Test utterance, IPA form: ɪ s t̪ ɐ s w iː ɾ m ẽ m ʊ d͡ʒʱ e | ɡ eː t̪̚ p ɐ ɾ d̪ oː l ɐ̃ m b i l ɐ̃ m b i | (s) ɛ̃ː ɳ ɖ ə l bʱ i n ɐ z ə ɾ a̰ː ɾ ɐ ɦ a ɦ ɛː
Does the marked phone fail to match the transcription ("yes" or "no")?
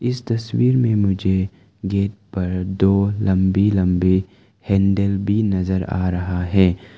yes